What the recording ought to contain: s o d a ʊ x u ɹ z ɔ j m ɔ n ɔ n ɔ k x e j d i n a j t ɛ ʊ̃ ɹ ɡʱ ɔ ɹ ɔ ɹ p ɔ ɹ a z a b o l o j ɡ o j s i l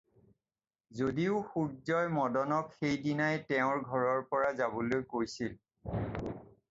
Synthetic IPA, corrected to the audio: z o d i ʊ x u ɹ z ɔ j m ɔ d ɔ n ɔ k x e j d i n a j t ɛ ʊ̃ ɹ ɡʱ ɔ ɹ ɔ ɹ p ɔ ɹ a z a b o l o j k o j s i l